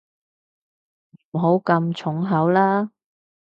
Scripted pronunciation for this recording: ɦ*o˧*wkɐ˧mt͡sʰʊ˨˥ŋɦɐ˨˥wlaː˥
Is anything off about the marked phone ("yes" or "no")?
yes